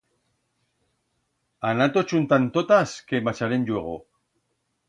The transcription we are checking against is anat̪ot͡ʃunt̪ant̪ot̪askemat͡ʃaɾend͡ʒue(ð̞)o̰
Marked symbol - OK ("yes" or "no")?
no